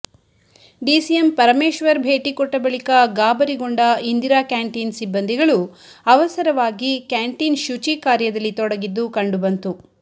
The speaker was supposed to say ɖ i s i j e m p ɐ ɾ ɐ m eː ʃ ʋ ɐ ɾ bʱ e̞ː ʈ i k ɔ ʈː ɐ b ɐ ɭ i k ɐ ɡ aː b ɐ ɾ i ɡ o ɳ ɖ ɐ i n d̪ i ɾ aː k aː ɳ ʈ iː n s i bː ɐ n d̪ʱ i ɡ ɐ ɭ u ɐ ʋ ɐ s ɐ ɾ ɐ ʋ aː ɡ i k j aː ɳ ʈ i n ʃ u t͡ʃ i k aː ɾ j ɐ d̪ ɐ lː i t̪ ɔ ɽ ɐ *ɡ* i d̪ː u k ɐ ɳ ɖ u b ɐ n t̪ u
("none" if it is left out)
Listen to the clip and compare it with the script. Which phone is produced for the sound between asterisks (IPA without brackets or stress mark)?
ɡ